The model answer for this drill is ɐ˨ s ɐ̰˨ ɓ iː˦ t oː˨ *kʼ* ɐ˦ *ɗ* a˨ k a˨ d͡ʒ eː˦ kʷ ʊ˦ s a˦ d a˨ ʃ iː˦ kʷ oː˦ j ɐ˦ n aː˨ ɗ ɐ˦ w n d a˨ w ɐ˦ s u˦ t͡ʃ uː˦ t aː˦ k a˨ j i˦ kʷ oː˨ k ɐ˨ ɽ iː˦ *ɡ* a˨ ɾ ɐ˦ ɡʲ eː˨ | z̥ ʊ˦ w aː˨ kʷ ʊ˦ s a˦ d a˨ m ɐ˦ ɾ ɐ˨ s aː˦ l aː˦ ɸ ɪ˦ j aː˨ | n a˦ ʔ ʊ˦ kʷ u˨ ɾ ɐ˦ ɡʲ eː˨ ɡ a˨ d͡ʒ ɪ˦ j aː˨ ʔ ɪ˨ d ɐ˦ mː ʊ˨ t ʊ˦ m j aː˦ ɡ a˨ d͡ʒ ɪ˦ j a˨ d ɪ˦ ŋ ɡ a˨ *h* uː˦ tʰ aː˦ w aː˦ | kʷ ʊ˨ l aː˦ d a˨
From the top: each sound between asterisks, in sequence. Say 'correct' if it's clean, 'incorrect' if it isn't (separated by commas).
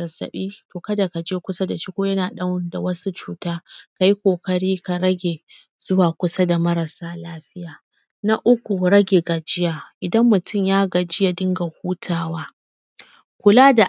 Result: incorrect, incorrect, incorrect, correct